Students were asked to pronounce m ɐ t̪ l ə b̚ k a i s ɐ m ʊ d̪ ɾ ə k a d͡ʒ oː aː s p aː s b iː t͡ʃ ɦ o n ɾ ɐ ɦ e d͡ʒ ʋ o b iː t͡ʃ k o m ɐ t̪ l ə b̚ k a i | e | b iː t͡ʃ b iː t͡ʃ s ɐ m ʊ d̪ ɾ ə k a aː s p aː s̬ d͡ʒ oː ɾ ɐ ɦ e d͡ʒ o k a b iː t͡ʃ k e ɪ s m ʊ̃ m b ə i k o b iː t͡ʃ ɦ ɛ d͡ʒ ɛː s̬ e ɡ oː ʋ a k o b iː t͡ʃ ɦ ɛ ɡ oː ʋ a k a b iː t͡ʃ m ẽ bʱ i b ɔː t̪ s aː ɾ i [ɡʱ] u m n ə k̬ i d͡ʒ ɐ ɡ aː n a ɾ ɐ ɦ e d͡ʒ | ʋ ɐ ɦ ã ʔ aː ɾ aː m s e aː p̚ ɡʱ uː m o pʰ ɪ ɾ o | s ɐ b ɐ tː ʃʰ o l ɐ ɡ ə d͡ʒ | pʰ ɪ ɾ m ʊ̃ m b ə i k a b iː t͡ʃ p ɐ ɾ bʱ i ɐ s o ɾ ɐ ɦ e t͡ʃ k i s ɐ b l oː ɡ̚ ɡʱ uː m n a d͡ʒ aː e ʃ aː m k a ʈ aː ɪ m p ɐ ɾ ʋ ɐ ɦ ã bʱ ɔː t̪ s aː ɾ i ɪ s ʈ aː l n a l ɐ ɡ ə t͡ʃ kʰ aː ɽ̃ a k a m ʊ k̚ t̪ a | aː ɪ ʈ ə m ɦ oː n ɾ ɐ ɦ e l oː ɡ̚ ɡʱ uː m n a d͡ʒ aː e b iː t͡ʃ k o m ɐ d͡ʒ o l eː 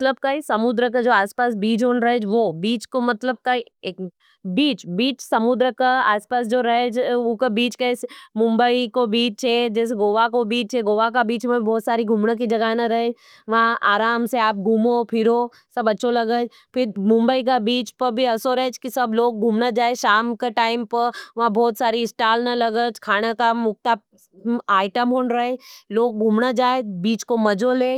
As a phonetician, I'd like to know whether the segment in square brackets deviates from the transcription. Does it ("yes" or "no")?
no